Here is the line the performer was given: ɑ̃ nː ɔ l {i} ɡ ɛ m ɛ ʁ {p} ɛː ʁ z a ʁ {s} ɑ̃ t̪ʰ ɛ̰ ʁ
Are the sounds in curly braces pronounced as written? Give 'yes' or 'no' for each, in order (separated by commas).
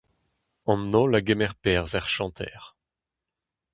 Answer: no, yes, no